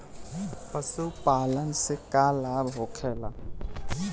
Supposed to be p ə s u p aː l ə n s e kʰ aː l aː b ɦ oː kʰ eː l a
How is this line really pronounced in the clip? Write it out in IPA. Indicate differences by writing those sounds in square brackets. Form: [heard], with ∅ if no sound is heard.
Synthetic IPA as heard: p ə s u p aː l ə n s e [k] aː l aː b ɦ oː kʰ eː l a